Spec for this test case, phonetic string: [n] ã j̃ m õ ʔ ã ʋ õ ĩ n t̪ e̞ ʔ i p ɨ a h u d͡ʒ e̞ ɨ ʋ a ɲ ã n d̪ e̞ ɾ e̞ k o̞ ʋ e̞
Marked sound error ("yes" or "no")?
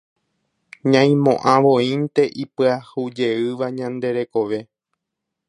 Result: yes